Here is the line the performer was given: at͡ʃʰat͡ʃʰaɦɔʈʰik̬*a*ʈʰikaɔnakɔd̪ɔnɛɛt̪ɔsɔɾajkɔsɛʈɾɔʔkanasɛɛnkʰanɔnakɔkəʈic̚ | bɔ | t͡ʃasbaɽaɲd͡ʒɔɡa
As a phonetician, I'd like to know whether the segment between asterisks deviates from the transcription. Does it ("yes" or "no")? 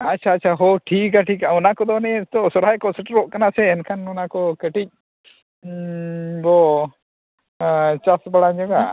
no